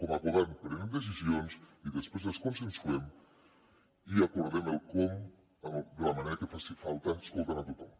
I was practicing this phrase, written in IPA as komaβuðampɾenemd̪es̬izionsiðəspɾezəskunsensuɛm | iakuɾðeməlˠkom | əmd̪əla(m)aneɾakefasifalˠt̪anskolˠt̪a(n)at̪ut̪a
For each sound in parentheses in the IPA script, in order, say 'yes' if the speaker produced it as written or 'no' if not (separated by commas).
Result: yes, yes